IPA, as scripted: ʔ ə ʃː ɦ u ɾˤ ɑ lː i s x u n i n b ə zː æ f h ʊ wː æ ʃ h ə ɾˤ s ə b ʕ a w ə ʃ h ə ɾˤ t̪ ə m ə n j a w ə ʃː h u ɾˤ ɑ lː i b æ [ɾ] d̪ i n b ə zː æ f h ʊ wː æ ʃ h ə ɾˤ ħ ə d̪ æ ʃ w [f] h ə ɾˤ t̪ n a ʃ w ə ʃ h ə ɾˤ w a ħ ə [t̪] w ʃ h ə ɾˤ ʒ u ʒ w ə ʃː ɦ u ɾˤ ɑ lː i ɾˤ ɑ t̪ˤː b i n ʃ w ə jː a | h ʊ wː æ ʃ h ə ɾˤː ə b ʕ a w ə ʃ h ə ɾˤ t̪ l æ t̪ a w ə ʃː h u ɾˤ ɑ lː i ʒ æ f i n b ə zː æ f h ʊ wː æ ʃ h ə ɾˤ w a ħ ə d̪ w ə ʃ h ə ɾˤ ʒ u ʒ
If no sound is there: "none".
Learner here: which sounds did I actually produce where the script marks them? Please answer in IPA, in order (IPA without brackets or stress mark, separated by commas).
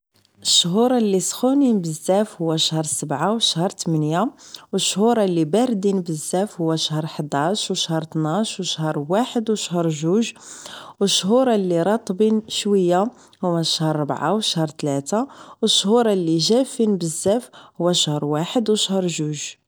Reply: ɾ, ʃ, d̪